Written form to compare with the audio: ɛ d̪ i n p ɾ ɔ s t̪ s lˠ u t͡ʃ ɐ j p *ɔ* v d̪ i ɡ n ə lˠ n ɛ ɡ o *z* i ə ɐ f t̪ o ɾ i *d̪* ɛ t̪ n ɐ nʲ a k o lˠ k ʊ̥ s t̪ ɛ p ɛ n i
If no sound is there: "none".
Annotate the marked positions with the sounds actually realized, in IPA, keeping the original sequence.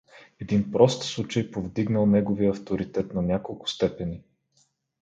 o, v, t̪

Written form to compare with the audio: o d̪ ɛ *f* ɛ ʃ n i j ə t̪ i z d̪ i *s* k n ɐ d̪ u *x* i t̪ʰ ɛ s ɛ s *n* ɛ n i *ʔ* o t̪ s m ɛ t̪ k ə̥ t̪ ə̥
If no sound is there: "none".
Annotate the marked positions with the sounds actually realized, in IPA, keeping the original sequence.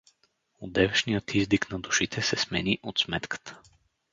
v, none, ʃ, m, ʔ

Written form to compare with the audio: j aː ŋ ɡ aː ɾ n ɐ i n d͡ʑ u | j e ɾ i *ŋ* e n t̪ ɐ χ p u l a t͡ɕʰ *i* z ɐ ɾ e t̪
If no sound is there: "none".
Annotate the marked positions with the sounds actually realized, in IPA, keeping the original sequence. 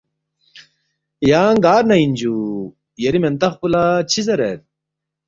m, i

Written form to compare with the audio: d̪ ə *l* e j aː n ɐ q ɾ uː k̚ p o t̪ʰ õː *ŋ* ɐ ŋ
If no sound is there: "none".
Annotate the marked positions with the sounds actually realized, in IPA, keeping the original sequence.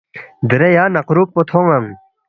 ɾ, ŋ

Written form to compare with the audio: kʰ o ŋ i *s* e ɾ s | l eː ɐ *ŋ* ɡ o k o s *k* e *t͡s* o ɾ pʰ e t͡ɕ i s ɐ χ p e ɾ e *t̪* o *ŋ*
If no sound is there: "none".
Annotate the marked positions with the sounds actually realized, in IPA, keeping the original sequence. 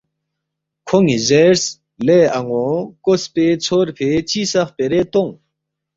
z, ŋ, p, t͡sʰ, t̪, ŋ

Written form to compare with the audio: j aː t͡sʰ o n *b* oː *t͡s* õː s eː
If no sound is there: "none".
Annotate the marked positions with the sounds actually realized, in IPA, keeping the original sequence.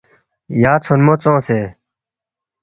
m, t͡s

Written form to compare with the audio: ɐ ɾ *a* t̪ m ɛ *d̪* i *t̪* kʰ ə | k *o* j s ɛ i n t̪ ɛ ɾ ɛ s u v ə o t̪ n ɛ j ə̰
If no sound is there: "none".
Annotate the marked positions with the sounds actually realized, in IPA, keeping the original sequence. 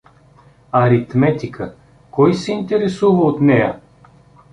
i, t̪, none, ɔ

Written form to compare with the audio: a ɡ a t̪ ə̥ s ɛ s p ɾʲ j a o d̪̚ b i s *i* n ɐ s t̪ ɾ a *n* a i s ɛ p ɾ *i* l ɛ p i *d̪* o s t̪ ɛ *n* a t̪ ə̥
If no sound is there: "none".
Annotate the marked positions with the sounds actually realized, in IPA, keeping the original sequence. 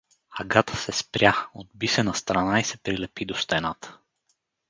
ɛ, n, i, d̪, n

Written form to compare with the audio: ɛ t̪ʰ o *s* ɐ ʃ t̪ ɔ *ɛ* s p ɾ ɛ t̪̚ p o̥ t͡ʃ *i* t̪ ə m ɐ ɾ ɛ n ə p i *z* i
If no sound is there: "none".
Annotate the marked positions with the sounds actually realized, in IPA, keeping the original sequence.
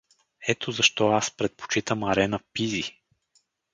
z, a, i, z

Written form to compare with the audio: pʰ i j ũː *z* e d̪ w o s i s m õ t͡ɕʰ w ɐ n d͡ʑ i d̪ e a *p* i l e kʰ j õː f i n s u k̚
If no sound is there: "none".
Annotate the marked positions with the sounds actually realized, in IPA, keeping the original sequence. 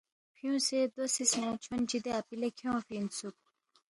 s, p

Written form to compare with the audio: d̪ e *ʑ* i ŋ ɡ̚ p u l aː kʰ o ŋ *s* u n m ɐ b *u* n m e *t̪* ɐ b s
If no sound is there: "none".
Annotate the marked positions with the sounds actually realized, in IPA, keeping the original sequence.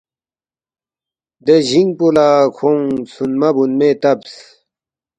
ʑ, s, u, t̪

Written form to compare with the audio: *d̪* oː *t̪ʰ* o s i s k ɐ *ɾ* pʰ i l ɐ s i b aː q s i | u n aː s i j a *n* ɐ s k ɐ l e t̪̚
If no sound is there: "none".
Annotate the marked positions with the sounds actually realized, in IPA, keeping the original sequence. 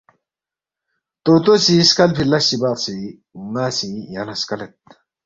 t̪, t̪, l, n

